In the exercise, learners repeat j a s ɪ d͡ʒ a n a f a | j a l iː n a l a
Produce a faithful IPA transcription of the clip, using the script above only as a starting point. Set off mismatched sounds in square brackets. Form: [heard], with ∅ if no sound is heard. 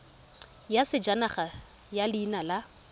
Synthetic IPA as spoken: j a s ɪ d͡ʒ a n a [χ] a | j a l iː n a l a